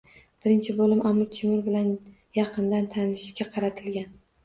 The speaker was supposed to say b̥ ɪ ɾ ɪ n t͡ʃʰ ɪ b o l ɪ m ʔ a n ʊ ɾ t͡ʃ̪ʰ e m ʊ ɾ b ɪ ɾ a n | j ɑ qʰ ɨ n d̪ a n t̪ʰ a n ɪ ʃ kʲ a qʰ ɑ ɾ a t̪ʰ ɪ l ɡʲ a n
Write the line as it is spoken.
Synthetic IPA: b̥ ɪ ɾ ɪ n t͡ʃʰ ɪ b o l ɪ m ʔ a m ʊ ɾ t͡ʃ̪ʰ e m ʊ ɾ b ɪ l a n | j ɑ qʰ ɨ n d̪ a n t̪ʰ a n ɪ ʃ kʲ a qʰ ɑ ɾ a t̪ʰ ɪ l ɡʲ a n

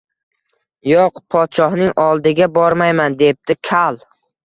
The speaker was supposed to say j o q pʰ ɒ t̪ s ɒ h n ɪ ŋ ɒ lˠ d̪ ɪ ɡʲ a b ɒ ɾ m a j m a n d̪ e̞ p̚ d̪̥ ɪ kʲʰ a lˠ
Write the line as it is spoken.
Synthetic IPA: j o q pʰ ɒ t̪ ʃ ɒ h n ɪ ŋ ɒ lˠ d̪ ɪ ɡʲ a b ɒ ɾ m a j m a n d̪ e̞ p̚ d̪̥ ɪ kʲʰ a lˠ

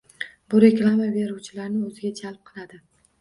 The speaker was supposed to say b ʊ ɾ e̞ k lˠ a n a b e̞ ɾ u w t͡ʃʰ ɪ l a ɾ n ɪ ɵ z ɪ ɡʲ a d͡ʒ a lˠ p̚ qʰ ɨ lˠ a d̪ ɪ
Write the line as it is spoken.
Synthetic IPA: b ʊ ɾ e̞ k lˠ a m a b e̞ ɾ u w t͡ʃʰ ɪ l a ɾ n ɪ ɵ z ɪ ɡʲ a d͡ʒ a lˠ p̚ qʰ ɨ lˠ a d̪ ɪ

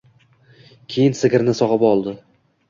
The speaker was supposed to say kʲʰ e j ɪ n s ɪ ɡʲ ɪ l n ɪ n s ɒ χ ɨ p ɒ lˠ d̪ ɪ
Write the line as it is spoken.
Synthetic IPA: kʲʰ e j ɪ n s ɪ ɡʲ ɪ ɾ n ɪ s ɒ ʁ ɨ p ɒ lˠ d̪ ɪ

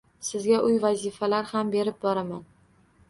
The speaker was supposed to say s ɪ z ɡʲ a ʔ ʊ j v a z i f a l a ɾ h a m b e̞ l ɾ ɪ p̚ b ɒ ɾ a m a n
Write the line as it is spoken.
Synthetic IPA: s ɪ z ɡʲ a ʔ ʊ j v a z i f a l a ɾ h a m b e̞ ɾ ɪ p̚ b ɒ ɾ a m a n

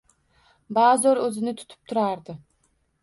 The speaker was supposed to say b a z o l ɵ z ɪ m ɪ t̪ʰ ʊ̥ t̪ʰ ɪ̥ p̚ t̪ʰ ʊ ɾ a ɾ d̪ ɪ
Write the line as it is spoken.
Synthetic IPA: b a z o ɾ ɵ z ɪ n ɪ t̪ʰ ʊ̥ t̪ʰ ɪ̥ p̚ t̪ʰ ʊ ɾ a ɾ d̪ ɪ

